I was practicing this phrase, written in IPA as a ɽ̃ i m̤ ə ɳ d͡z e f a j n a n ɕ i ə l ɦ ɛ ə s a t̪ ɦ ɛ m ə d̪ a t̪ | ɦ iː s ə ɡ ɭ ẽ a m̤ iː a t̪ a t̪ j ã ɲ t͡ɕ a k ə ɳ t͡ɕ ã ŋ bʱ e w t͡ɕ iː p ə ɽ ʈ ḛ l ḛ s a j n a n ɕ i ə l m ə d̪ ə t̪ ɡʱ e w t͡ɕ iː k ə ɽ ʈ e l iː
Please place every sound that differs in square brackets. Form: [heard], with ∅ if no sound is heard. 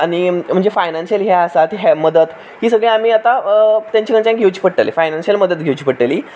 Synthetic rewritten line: a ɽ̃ i m̤ ə ɳ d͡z e f a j n a n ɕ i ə l ɦ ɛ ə s a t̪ ɦ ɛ m ə d̪ [ə] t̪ | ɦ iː s ə ɡ ɭ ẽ a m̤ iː a t̪ a t̪ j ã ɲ t͡ɕ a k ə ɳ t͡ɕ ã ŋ [ɡʱ] e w t͡ɕ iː p ə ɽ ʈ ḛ l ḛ [f] a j n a n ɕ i ə l m ə d̪ ə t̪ ɡʱ e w t͡ɕ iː [p] ə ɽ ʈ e l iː